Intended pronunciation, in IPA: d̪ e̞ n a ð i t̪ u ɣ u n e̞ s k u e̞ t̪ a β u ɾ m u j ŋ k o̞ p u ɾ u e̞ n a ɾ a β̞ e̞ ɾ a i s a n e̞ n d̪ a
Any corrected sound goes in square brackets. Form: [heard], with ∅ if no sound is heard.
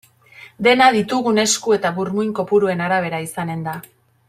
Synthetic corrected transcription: d̪ e̞ n a ð i t̪ u ɣ u n e̞ s k u e̞ t̪ a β u ɾ m u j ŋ k o̞ p u ɾ u e̞ n a ɾ a β̞ e̞ ɾ a i s a n e̞ n d̪ a